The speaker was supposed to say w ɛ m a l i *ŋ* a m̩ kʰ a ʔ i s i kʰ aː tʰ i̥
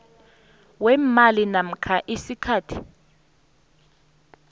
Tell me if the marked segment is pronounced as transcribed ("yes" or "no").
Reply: no